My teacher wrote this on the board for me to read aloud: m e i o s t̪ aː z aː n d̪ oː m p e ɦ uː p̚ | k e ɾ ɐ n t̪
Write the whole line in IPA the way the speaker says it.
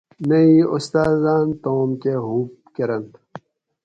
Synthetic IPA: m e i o s t̪ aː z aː n t̪ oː m k e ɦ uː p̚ | k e ɾ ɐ n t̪

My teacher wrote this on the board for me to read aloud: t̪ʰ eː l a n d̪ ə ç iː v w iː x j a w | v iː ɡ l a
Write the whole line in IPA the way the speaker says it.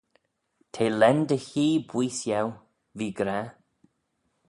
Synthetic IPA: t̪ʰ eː l ɛ n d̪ ə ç iː b w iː s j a w | v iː ɡ ɾ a

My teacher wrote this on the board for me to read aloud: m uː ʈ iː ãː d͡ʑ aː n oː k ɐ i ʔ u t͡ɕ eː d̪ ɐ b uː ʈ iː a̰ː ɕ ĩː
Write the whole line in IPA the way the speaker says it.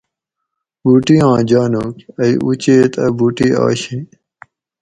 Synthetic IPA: b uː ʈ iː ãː d͡ʑ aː n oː k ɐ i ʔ u t͡ɕ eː t̪ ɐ b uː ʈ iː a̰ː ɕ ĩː

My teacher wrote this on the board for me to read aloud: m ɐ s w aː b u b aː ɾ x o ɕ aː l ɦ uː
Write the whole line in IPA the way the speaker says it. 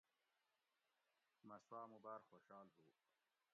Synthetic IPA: m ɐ s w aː m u b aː ɾ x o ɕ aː l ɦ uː

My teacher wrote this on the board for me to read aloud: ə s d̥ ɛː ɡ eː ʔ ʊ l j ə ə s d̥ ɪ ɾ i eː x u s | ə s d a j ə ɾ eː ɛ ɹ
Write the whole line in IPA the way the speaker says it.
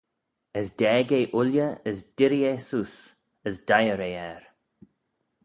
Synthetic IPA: ə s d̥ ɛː ɡ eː ʔ ʊ l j ə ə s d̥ ɪ ɾ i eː s u s | ə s d a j ə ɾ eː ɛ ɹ

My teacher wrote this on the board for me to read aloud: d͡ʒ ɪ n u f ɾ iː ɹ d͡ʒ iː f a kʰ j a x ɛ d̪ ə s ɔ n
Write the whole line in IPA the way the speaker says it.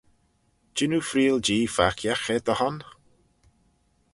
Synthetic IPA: d͡ʒ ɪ n u f ɾ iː l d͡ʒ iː f a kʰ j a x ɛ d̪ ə h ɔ n

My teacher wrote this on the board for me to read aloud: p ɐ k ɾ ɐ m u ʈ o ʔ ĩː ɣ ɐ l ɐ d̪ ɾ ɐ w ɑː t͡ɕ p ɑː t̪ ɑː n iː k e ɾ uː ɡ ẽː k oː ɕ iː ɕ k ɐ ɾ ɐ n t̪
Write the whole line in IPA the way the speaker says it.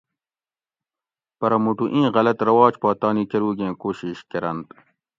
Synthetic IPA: p ɐ ɾ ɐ m u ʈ u ʔ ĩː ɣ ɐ l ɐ t̪ ɾ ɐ w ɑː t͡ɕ p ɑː t̪ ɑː n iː k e ɾ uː ɡ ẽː k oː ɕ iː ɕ k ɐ ɾ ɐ n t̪

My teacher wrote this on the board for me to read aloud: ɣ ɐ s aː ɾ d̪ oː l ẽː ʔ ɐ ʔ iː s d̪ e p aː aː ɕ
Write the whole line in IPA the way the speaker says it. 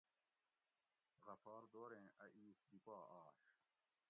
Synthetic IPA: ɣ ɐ f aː ɾ d̪ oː ɾ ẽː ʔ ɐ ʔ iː s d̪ i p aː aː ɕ

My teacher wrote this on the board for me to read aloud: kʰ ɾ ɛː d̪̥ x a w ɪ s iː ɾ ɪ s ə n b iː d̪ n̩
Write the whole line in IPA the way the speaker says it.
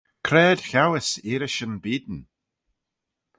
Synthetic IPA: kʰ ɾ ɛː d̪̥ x a w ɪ s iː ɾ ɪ ʃ ə n b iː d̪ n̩

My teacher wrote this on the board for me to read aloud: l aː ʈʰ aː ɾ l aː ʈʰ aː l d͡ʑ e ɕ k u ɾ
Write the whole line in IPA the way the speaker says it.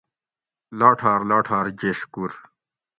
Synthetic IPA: l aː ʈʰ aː ɾ l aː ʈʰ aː ɾ d͡ʑ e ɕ k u ɾ

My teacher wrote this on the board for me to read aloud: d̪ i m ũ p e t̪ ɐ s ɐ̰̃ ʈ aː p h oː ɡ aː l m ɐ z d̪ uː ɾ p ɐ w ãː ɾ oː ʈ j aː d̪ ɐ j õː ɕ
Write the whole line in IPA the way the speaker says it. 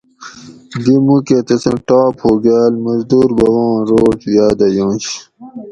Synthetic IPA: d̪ i m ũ k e t̪ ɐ s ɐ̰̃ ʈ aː p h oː ɡ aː l m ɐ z d̪ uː ɾ b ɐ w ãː ɾ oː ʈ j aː d̪ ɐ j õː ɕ

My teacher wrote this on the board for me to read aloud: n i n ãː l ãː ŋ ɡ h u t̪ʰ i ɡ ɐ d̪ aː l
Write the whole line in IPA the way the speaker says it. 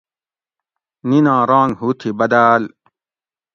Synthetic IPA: n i n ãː ɾ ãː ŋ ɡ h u t̪ʰ i b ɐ d̪ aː l

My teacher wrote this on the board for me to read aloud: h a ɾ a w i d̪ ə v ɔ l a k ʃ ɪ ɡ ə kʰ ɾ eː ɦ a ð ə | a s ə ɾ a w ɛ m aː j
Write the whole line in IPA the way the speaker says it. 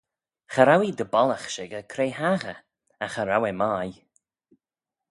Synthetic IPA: x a ɾ a w i d̪ ə b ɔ l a x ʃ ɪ ɡ ə kʰ ɾ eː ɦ a ɣ ə | a x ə ɾ a w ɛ m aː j

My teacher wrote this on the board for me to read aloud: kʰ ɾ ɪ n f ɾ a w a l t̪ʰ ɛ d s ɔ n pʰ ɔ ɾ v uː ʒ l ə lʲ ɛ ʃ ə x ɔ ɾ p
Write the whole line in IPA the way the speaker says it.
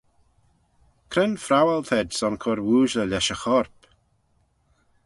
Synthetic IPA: kʰ ɾ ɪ n f ɾ a w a l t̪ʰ ɛ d s ɔ n kʰ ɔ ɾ w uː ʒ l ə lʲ ɛ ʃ ə x ɔ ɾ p

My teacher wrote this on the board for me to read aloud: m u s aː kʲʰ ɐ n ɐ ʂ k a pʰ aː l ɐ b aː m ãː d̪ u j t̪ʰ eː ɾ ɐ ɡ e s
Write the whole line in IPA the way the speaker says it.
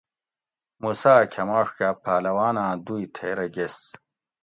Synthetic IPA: m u s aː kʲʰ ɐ m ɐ ʂ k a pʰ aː l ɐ w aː n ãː d̪ u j t̪ʰ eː ɾ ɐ ɡ e s

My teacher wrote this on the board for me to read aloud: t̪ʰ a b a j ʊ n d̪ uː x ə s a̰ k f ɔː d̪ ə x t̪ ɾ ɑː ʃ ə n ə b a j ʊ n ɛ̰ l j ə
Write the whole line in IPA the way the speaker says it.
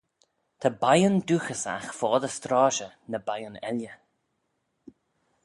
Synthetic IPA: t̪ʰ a b a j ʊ n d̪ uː x ə s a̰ x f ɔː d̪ ə s t̪ ɾ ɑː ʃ ə n ə b a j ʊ n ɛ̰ l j ə

